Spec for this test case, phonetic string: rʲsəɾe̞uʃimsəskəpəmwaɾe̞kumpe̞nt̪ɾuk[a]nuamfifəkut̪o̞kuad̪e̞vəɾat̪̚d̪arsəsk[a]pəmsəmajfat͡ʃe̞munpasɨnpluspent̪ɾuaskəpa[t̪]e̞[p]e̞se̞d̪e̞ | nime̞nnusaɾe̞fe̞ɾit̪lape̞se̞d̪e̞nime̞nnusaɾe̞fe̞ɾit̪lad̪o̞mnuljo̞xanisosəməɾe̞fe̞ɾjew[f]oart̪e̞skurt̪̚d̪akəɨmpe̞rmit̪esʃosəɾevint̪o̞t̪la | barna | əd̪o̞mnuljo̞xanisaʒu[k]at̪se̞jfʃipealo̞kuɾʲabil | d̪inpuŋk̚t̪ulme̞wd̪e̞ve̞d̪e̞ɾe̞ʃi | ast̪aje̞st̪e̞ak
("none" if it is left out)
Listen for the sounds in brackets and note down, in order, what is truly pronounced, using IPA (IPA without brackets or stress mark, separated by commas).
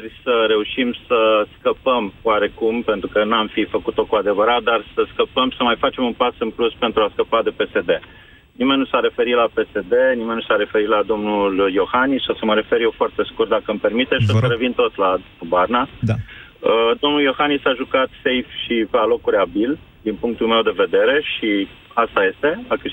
ə, ə, d̪, p, f, k